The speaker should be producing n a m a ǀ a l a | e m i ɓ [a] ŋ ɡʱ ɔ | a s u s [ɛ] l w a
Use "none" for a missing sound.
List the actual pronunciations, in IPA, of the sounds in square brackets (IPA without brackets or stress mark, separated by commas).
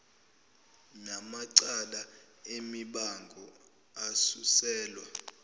a, ɛː